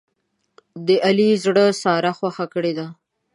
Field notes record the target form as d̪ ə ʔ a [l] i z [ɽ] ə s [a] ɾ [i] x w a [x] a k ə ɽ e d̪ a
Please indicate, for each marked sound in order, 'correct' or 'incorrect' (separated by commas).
correct, correct, incorrect, incorrect, correct